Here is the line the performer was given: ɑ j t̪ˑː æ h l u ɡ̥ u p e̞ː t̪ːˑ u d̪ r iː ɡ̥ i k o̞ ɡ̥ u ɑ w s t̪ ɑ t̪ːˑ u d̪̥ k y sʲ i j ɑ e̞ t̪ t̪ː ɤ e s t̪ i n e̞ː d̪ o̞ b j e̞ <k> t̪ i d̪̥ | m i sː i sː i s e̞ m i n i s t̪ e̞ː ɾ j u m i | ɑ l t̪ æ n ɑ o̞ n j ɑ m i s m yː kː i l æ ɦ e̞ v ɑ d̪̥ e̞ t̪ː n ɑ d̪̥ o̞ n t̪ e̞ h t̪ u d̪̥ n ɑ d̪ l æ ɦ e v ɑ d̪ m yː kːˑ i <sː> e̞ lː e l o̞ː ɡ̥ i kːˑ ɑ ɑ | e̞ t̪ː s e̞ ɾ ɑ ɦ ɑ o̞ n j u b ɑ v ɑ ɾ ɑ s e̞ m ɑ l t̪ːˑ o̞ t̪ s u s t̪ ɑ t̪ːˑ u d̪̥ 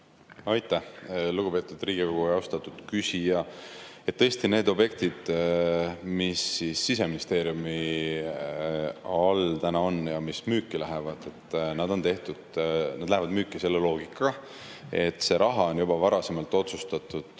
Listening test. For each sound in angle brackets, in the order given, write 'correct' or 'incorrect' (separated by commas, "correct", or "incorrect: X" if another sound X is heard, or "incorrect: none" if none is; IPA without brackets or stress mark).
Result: correct, incorrect: s